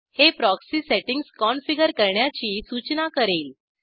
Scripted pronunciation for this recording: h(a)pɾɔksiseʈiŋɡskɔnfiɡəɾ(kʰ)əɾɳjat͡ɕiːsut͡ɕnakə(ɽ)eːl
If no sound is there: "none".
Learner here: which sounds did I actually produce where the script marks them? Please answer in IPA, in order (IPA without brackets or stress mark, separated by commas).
e, k, ɾ